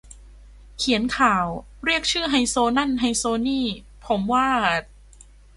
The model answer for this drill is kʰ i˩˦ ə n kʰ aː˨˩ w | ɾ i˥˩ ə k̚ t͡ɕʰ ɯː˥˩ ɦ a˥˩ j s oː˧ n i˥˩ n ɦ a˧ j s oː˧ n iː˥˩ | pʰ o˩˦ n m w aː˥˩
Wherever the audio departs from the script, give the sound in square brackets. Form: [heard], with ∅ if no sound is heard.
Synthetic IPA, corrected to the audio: kʰ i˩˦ ə n kʰ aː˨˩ w | ɾ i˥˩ ə k̚ t͡ɕʰ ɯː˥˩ ɦ [a˧] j s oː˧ n [a˥˩] n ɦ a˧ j s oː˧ n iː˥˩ | pʰ o˩˦ [∅] m w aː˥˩